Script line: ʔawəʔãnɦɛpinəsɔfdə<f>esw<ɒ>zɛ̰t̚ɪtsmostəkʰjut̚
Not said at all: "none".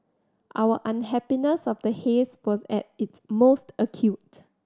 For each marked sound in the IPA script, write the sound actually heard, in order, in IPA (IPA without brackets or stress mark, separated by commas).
h, ɔ